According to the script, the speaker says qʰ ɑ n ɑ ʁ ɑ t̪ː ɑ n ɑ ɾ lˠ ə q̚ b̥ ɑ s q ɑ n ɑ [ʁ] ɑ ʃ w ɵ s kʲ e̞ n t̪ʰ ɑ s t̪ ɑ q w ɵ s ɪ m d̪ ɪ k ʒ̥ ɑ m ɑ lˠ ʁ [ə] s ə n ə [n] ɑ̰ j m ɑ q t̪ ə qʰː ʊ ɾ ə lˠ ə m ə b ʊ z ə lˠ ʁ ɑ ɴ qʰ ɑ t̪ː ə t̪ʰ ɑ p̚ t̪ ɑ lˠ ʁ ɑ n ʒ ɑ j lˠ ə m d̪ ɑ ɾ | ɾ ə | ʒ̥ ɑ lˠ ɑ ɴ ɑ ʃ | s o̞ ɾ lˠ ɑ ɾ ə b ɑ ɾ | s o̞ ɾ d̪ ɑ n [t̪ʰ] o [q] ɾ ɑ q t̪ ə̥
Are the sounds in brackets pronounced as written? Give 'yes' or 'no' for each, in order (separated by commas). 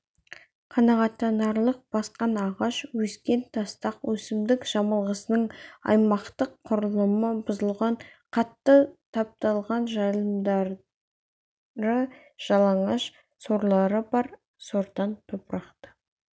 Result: yes, yes, no, yes, no